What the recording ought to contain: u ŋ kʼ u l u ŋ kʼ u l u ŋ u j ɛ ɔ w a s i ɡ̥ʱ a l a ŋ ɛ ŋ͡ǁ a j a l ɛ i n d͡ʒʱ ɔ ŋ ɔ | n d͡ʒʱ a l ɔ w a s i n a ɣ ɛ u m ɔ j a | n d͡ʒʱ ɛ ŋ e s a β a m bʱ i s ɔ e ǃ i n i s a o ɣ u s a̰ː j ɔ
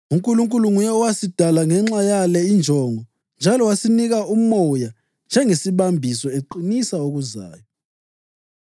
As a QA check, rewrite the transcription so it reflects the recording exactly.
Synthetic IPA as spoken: u ŋ kʼ u l u ŋ kʼ u l u ŋ u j ɛ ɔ w a s i d̥ʱ a l a ŋ ɛ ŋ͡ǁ a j a l ɛ i n d͡ʒʱ ɔ ŋ ɔ | n d͡ʒʱ a l ɔ w a s i n i ɣ a u m ɔ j a | n d͡ʒʱ ɛ ŋ e s i β a m bʱ i s ɔ e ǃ i n i s a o ɣ u z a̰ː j ɔ